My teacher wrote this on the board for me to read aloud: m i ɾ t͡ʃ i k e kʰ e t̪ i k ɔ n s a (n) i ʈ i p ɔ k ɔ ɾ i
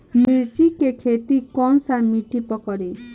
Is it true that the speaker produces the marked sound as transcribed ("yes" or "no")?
no